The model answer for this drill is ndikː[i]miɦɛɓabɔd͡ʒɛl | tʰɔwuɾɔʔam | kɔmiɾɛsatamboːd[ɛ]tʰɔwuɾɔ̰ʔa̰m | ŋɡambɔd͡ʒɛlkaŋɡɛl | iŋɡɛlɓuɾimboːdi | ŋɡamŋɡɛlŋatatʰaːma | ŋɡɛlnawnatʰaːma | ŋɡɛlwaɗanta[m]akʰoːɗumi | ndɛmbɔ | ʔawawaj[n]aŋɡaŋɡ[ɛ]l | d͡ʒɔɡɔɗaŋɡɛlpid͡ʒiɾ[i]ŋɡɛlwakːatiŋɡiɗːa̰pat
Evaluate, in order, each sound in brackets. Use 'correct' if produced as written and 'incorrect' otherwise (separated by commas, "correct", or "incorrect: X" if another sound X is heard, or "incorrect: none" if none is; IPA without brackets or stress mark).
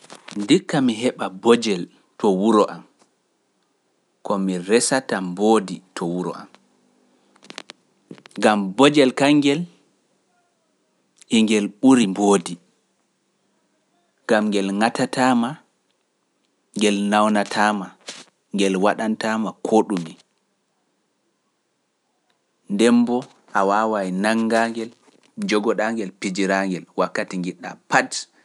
incorrect: a, incorrect: i, correct, correct, correct, incorrect: a